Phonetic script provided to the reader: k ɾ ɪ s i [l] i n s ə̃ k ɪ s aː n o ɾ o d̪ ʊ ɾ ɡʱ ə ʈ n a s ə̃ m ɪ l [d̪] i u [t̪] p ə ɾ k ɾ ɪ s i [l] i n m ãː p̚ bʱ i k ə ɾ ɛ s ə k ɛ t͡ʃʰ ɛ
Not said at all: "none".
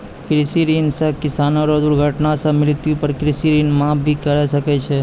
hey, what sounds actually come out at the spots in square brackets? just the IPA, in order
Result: ɾ, t̪, none, ɾ

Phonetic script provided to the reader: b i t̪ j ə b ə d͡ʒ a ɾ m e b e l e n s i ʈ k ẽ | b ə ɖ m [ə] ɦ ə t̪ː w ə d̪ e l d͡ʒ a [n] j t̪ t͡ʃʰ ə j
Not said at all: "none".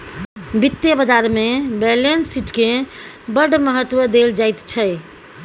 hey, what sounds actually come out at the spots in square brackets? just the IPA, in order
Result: ə, none

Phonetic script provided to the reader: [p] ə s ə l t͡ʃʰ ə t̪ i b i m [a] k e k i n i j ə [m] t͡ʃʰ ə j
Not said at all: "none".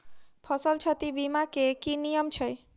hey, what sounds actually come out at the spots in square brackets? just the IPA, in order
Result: pʰ, a, m

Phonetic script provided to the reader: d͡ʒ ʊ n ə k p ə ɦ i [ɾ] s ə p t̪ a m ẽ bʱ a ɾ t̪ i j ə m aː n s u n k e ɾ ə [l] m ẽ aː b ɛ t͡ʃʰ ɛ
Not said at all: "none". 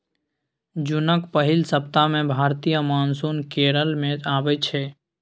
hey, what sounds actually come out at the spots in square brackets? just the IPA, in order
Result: l, l

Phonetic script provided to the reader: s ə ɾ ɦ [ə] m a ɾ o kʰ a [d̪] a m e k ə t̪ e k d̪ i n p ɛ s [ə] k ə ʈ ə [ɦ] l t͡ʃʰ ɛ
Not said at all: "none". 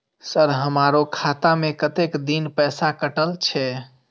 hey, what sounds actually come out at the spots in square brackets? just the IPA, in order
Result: ə, t̪, a, none

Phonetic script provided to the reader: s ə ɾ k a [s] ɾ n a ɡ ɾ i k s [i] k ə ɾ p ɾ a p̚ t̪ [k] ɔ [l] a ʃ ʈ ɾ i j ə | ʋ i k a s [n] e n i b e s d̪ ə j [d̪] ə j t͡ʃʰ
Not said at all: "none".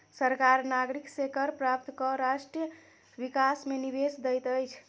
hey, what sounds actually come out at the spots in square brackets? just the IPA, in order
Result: none, e, k, ɾ, m, t̪

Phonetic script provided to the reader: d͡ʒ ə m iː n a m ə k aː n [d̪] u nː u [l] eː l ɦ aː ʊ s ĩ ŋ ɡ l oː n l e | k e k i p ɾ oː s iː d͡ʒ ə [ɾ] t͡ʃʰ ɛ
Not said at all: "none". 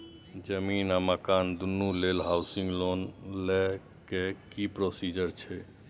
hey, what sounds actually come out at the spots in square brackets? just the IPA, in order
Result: d̪, l, ɾ

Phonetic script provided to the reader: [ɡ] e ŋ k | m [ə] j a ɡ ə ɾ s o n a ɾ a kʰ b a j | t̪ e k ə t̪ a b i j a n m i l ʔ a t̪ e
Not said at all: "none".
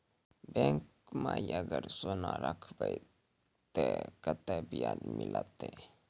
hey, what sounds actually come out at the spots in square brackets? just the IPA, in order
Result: b, a

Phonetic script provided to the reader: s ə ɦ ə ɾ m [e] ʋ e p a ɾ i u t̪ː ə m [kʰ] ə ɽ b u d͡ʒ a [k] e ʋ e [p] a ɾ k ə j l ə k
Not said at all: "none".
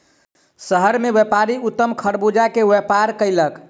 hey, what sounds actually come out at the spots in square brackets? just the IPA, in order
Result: e, kʰ, k, p

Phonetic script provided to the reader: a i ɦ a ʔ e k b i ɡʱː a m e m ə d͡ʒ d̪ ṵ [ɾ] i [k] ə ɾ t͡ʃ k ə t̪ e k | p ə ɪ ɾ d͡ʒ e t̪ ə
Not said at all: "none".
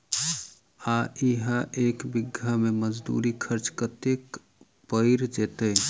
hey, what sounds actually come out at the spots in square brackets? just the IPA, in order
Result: ɾ, kʰ

